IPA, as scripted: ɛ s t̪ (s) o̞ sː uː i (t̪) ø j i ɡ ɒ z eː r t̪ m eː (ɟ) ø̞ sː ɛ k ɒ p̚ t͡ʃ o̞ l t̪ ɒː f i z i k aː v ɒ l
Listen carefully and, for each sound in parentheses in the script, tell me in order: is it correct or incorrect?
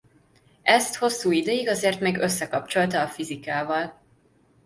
incorrect, incorrect, incorrect

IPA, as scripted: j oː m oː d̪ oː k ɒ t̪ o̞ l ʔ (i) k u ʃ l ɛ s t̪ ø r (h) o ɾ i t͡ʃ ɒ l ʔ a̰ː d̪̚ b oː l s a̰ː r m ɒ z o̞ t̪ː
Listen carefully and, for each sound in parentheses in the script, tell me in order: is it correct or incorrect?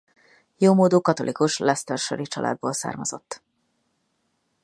correct, incorrect

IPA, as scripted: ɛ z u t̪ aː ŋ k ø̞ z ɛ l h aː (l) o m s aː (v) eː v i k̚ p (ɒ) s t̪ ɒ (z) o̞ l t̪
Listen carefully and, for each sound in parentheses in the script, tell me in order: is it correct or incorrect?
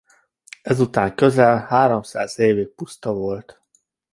incorrect, incorrect, incorrect, incorrect

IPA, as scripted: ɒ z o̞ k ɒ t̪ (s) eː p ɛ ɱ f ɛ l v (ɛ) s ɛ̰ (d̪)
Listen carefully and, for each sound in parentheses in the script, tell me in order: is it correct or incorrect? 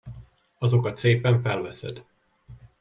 correct, correct, correct

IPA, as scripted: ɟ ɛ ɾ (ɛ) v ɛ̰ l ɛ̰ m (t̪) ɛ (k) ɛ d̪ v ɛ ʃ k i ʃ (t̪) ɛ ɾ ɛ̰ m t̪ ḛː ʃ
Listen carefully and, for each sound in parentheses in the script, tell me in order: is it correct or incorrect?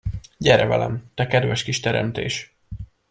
correct, correct, correct, correct

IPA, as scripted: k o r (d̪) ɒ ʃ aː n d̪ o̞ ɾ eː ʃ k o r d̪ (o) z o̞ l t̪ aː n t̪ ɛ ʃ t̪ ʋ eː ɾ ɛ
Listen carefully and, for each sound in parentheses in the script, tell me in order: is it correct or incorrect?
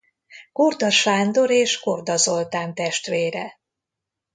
correct, incorrect

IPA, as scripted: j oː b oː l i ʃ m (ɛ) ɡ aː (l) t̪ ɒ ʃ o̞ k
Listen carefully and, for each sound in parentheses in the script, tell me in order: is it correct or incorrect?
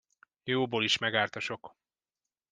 correct, incorrect

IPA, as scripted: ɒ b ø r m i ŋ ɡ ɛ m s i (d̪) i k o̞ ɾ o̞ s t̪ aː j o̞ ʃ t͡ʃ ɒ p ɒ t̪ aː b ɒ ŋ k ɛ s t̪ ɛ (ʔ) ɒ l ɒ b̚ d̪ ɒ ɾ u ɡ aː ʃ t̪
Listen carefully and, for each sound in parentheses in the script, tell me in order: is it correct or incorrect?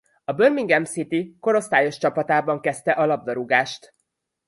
incorrect, correct

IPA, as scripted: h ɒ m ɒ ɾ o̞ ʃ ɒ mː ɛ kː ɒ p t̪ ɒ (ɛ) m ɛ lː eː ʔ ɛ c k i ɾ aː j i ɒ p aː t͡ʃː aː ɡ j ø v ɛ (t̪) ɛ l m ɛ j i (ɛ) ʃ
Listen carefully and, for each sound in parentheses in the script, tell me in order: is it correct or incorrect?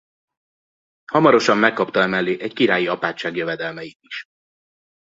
correct, incorrect, incorrect

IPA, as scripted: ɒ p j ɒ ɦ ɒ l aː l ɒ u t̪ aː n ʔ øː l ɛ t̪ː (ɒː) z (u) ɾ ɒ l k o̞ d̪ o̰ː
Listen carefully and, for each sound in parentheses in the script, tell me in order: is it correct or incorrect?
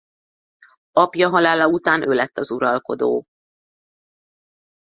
incorrect, correct

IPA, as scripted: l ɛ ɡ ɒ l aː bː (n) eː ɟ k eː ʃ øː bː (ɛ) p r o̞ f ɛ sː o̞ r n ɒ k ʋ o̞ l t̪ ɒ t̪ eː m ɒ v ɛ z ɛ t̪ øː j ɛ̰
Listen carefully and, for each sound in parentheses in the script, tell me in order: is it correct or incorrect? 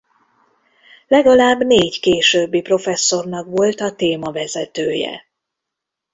correct, incorrect

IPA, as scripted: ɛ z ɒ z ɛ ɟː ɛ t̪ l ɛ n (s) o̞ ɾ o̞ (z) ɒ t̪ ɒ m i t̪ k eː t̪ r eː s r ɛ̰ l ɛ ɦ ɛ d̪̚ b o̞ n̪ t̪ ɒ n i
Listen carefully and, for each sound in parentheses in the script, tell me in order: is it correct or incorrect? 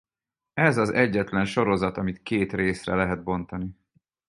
incorrect, correct

